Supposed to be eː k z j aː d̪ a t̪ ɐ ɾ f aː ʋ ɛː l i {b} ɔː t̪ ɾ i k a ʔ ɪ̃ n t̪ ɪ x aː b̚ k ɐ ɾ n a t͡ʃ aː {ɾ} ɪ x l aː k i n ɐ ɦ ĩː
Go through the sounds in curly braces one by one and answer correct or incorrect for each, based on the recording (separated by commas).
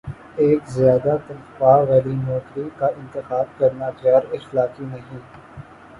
incorrect, correct